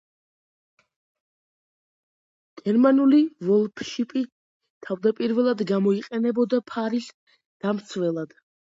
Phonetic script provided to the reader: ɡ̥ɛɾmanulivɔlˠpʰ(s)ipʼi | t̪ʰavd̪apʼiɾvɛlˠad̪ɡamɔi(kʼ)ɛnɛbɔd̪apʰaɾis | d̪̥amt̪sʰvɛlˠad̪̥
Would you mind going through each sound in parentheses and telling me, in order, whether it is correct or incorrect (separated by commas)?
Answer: incorrect, incorrect